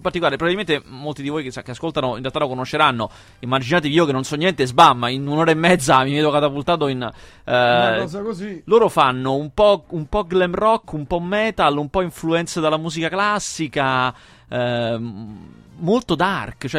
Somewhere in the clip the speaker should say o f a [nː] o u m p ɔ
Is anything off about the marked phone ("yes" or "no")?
no